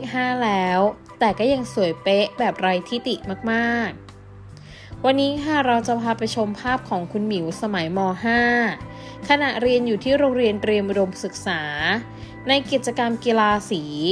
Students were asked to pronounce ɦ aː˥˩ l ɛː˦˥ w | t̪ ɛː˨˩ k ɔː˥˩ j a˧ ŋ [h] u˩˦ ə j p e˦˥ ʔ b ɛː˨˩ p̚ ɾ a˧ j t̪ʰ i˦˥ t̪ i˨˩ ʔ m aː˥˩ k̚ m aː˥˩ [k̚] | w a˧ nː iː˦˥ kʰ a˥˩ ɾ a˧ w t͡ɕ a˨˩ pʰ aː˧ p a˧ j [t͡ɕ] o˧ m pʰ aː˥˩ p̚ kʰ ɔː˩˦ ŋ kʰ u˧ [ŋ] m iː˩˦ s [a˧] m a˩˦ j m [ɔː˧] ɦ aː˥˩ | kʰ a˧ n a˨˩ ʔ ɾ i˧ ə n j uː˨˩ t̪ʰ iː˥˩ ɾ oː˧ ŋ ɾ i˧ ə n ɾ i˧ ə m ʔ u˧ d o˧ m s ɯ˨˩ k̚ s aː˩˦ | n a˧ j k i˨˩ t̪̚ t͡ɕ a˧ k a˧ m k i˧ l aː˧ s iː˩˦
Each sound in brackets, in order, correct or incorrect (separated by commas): incorrect, correct, incorrect, incorrect, correct, correct